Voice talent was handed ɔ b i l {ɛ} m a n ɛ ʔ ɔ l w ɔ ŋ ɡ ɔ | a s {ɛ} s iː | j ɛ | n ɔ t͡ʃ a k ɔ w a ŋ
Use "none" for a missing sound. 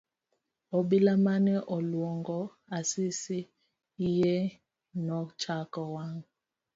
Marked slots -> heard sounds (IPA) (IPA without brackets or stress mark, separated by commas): a, i